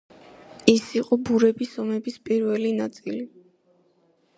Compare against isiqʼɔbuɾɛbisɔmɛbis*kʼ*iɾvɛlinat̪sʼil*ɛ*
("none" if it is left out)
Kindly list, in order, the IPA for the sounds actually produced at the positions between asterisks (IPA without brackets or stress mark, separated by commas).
pʼ, i